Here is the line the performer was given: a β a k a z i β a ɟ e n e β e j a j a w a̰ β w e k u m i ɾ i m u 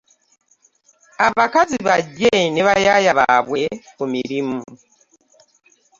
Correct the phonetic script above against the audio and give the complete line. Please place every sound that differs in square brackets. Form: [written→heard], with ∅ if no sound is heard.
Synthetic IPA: a β a k a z i β a ɟ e n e β [e→a] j a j a [w→β] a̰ β w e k u m i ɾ i m u